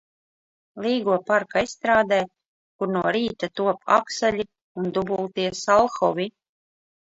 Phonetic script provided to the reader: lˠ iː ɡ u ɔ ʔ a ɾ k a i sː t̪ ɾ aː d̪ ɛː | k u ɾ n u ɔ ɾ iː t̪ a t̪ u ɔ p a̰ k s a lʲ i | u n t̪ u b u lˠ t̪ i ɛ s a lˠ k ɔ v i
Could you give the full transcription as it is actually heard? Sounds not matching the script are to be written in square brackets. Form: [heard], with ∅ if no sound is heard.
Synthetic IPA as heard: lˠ iː ɡ u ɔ [p] a ɾ k a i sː t̪ ɾ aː d̪ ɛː | k u ɾ n u ɔ ɾ iː t̪ a t̪ u ɔ p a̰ k s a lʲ i | u n [d̪] u b u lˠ t̪ i ɛ s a lˠ [x] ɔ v i